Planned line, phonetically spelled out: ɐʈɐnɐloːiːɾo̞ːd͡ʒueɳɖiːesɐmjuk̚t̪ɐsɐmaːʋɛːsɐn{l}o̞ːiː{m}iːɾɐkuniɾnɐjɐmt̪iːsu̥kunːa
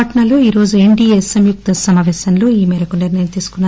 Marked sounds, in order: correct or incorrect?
correct, correct

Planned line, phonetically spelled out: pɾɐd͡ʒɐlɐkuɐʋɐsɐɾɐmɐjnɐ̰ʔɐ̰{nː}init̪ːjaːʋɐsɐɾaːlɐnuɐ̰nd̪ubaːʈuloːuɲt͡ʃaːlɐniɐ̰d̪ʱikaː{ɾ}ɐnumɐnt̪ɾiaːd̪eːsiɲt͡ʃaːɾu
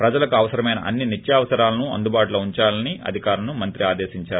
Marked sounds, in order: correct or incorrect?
correct, correct

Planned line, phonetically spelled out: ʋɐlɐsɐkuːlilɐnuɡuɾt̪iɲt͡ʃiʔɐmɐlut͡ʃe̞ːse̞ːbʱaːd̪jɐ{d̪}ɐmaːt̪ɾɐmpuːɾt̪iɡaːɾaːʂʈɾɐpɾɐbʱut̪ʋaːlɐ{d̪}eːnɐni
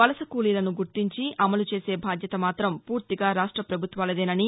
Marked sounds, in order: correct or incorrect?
incorrect, correct

